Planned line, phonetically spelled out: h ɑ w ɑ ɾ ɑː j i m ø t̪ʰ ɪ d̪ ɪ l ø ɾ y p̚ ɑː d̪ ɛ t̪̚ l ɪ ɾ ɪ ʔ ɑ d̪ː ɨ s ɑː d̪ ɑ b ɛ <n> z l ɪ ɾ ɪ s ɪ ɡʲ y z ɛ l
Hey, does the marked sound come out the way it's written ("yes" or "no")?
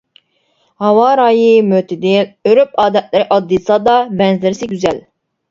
yes